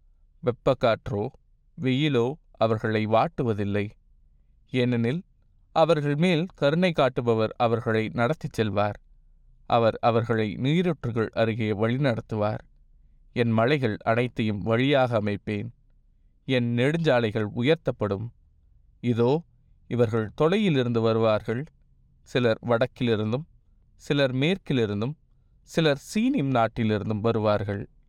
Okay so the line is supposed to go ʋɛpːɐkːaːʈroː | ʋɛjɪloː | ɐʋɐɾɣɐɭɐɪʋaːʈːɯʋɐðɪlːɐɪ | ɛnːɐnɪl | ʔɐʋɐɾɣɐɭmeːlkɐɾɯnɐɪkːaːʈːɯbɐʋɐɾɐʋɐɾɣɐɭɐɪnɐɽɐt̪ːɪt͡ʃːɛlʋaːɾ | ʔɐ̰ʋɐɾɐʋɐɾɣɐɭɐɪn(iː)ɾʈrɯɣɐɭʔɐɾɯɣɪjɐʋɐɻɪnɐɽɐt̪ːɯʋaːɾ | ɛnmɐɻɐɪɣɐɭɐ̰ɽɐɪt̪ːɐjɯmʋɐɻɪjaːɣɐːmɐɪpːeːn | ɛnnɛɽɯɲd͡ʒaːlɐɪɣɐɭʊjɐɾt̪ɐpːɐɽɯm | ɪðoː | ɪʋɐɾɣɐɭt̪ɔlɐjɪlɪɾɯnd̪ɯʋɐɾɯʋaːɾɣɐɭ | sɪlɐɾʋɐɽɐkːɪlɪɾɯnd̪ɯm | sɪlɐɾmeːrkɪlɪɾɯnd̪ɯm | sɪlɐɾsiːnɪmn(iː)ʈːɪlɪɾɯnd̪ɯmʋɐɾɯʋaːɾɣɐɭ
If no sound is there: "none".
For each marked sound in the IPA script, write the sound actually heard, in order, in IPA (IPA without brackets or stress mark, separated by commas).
iː, aː